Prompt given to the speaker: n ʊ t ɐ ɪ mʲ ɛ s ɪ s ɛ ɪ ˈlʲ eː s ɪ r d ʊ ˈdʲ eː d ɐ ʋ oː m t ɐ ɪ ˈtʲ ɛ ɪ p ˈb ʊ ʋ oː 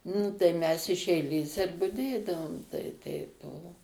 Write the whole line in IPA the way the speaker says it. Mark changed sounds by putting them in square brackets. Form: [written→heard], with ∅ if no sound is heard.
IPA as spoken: n ʊ t ɐ ɪ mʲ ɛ s ɪ [s→ʃ] ɛ ɪ ˈlʲ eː s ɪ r [d→b] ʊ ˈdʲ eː d ɐ ʋ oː m t ɐ ɪ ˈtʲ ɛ ɪ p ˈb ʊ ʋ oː